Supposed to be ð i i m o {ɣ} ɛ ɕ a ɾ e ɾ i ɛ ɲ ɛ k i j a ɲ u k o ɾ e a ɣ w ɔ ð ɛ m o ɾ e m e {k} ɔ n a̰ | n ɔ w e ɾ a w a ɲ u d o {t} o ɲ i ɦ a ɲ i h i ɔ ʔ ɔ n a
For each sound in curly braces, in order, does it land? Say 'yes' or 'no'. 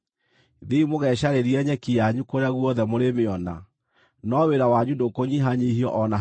yes, no, no

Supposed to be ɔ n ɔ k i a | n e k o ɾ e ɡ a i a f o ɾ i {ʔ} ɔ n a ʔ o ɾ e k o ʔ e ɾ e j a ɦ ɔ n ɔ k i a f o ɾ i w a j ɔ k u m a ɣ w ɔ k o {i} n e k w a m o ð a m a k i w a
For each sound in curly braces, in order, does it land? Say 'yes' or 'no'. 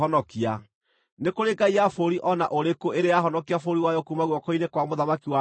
yes, yes

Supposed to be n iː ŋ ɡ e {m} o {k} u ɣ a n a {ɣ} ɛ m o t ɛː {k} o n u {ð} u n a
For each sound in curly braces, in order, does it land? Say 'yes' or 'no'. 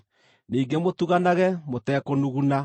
yes, no, yes, yes, no

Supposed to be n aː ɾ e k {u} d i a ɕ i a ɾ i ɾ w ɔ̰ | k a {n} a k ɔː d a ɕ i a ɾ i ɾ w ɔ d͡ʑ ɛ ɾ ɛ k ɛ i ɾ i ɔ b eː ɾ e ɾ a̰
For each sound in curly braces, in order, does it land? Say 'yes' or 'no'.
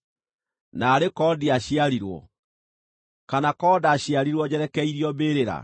no, yes

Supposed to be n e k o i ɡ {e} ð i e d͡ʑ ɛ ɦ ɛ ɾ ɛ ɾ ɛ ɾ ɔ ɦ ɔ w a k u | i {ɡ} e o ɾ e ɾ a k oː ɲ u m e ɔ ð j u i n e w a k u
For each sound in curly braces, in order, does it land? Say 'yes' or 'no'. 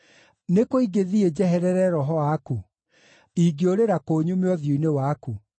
yes, yes

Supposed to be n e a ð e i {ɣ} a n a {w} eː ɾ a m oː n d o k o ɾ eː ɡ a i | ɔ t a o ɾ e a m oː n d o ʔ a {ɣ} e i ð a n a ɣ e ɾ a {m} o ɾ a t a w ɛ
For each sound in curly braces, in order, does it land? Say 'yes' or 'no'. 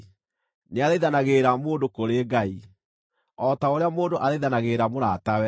no, no, no, yes

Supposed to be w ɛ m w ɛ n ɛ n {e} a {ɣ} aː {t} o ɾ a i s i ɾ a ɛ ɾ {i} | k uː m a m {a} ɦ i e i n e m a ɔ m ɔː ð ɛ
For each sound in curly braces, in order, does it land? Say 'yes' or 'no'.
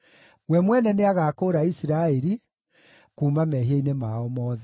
yes, yes, no, yes, no

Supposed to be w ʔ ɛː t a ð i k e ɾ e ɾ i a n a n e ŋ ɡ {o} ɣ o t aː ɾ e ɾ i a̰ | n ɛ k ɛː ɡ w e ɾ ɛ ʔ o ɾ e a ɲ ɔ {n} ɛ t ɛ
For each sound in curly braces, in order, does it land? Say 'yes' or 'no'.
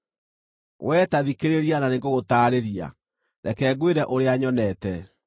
yes, yes

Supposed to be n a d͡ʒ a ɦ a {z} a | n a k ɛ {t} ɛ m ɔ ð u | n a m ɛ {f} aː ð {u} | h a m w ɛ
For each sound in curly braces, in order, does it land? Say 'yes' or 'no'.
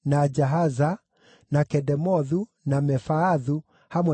yes, no, yes, yes

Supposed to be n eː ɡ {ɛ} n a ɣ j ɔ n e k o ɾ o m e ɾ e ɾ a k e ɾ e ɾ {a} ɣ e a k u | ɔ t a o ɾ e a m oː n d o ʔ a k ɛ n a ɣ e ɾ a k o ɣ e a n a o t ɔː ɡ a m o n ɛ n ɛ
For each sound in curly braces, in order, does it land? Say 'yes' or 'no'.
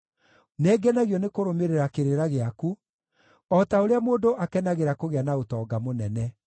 yes, yes

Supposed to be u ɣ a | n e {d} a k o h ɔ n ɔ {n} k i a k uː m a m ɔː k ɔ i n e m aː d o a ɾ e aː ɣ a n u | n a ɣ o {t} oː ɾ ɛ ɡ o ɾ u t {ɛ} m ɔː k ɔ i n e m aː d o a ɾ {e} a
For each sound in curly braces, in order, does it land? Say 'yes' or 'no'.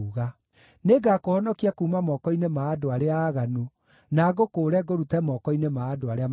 no, no, no, yes, yes

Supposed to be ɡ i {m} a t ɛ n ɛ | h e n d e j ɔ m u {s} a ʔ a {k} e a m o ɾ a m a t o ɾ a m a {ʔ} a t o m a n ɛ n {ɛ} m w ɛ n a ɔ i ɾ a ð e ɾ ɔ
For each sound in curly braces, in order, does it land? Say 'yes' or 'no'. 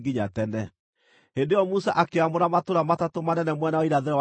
no, yes, yes, no, yes

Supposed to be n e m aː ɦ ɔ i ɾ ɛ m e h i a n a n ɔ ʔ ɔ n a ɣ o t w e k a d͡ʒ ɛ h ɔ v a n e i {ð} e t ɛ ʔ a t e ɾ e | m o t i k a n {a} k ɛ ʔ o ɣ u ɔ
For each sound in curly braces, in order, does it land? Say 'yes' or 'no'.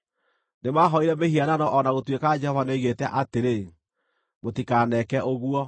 no, no

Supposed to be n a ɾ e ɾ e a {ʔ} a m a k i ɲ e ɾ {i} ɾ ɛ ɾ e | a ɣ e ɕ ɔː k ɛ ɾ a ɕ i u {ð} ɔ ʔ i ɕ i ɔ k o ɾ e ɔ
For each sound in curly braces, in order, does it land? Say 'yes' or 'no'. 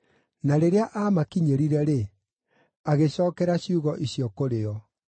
yes, yes, no

